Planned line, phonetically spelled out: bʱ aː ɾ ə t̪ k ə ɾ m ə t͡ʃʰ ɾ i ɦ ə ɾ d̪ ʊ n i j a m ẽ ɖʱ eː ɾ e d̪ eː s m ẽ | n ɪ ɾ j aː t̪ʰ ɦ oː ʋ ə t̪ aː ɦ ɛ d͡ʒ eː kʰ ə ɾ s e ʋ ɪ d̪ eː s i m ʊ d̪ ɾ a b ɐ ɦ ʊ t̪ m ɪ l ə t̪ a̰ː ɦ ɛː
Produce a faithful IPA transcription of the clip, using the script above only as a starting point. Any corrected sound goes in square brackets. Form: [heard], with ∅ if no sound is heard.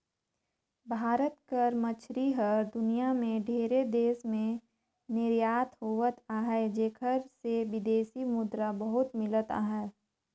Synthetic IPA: bʱ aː ɾ ə t̪ k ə ɾ m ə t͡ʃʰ ɾ i ɦ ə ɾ d̪ ʊ n i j a m ẽ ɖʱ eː ɾ e d̪ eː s m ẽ | n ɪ ɾ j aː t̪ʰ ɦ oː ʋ ə t̪ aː ɦ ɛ d͡ʒ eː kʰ ə ɾ s e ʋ ɪ d̪ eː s i m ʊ d̪ ɾ a b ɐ ɦ ʊ t̪ m ɪ l ə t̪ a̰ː ɦ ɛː